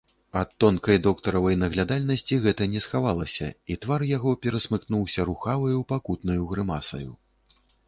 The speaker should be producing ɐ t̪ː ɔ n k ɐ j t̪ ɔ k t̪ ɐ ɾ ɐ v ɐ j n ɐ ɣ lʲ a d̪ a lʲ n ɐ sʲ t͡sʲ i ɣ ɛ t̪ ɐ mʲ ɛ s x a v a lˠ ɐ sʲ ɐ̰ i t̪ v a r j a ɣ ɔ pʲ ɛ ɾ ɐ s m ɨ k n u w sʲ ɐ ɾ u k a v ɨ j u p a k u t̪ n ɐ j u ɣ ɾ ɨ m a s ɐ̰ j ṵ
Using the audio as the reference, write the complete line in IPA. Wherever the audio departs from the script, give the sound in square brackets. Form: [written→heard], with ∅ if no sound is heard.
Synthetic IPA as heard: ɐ t̪ː ɔ n k ɐ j [t̪→d̪] ɔ k t̪ ɐ ɾ ɐ v ɐ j n ɐ ɣ lʲ a d̪ a lʲ n ɐ sʲ t͡sʲ i ɣ ɛ t̪ ɐ [mʲ→nʲ] ɛ s x a v a lˠ ɐ sʲ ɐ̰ i t̪ v a r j a ɣ ɔ pʲ ɛ ɾ ɐ s m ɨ k n u w sʲ ɐ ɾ u [k→x] a v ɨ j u p a k u t̪ n ɐ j u ɣ ɾ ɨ m a s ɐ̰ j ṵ